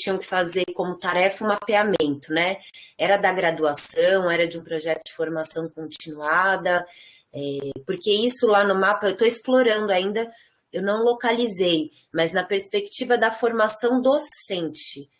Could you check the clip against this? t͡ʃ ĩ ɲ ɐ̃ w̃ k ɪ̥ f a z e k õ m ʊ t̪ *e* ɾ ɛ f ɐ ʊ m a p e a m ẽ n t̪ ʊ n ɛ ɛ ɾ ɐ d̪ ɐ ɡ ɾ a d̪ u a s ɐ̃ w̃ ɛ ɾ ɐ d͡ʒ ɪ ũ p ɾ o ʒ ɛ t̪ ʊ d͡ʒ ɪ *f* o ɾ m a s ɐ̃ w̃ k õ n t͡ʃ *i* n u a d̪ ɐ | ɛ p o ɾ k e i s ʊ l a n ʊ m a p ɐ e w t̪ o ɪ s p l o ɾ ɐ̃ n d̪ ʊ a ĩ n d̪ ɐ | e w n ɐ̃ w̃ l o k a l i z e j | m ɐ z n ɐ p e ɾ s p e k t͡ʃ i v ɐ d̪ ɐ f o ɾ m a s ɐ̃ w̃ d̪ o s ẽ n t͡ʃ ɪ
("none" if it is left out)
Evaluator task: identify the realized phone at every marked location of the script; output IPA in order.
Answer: a, f, i

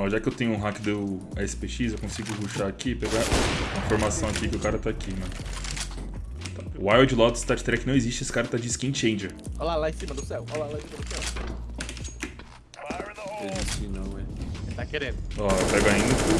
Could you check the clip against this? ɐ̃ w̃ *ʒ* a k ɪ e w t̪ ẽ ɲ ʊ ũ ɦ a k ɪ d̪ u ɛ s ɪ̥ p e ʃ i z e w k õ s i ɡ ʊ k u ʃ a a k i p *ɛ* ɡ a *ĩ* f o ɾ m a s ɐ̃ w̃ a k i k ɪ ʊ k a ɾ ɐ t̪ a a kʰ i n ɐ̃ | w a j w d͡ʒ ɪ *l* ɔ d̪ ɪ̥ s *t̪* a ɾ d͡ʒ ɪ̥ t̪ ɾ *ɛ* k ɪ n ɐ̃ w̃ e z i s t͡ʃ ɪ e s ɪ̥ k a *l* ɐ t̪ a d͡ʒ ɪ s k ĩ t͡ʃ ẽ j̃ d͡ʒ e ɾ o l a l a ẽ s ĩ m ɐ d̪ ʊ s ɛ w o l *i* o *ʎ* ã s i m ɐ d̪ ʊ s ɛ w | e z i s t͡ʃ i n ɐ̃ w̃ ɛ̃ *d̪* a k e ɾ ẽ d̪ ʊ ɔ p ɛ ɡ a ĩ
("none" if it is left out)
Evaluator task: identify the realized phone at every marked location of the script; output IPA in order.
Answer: ʒ, e, ĩ, l, t̪, ɛ, ɾ, a, l, t̪

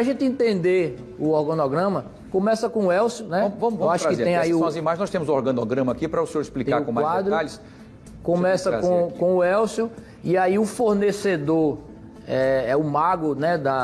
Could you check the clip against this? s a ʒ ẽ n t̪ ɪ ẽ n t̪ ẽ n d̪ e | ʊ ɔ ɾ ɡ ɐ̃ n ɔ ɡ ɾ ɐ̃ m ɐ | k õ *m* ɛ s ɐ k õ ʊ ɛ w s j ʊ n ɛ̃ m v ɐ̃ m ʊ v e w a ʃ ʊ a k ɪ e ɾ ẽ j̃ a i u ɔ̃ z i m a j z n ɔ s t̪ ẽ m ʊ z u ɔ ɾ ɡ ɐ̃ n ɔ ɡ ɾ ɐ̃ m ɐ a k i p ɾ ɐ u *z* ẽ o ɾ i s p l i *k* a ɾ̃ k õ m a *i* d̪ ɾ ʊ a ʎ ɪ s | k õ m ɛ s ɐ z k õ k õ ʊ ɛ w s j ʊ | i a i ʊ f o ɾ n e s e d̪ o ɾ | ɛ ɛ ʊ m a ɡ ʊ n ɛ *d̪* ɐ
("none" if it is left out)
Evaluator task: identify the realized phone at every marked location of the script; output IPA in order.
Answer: m, s, k, a, d̪

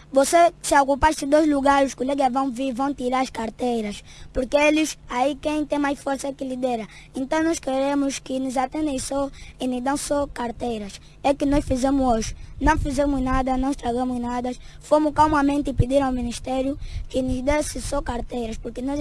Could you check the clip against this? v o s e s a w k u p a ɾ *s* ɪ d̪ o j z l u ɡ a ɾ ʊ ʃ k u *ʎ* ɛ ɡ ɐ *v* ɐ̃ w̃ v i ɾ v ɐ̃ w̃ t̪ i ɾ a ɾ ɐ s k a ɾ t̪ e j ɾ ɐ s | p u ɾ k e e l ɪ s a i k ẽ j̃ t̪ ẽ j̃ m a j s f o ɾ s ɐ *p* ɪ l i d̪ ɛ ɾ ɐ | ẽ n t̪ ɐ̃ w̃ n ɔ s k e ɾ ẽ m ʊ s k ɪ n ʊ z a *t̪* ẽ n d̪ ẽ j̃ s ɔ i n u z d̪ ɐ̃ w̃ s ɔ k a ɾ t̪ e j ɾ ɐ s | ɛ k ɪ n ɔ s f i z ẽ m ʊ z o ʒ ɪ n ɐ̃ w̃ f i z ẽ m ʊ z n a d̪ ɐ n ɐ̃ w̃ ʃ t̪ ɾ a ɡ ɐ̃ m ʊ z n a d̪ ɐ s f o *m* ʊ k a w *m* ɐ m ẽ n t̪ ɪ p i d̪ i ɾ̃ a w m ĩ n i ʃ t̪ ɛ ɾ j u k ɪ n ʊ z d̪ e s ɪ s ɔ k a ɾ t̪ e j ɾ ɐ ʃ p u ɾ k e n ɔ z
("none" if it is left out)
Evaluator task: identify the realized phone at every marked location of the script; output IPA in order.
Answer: s, l, v, k, t̪, m, m

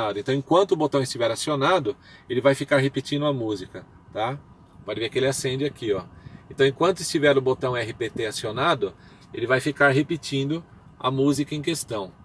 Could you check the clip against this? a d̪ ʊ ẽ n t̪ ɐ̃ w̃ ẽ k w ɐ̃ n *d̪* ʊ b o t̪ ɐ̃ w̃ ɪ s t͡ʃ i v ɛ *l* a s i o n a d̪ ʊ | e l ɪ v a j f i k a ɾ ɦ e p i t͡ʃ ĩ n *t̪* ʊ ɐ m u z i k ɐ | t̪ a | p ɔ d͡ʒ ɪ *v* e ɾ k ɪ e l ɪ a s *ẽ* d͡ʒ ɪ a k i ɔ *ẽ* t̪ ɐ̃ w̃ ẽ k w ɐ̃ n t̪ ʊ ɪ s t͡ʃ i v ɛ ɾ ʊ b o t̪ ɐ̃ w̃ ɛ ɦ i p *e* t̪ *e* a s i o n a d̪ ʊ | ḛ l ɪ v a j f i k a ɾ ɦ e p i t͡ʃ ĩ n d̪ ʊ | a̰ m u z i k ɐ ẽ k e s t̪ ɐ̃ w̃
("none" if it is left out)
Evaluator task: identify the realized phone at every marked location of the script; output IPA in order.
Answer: t̪, ɾ, d̪, v, ẽ, ẽ, e, e

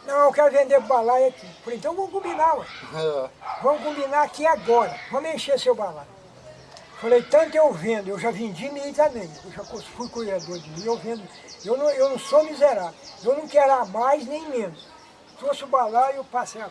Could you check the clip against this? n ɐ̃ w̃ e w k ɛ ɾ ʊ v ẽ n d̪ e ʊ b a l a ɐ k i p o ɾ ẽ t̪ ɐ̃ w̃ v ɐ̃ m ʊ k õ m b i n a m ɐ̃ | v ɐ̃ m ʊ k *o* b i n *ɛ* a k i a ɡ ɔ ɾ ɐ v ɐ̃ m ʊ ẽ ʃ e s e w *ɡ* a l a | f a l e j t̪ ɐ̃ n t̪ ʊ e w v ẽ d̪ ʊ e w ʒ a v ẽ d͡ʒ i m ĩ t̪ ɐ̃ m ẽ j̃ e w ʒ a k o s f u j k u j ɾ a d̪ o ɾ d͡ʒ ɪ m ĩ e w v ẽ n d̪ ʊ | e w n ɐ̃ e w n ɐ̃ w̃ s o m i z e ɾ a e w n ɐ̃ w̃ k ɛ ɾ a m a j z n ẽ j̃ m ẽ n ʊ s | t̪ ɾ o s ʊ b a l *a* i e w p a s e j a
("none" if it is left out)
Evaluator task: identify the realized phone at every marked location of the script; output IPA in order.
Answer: õ, a, b, a

